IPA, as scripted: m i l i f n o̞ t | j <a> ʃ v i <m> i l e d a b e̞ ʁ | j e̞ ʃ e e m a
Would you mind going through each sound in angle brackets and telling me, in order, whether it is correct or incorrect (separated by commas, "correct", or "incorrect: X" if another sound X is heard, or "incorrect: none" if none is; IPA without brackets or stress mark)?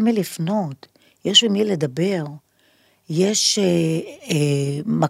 incorrect: e, correct